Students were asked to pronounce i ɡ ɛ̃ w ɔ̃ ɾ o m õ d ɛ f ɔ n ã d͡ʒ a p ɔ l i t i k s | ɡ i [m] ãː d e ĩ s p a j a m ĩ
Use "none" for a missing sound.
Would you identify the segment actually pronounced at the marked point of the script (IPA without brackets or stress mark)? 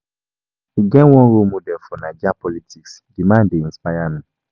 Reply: m